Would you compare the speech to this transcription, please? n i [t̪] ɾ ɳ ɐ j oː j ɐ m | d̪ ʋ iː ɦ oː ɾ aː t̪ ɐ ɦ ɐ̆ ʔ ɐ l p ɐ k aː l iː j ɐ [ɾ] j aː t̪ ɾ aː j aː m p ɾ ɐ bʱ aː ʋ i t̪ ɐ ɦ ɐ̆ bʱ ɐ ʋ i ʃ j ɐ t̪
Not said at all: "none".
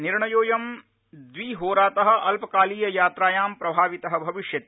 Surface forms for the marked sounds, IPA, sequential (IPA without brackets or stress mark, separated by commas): none, none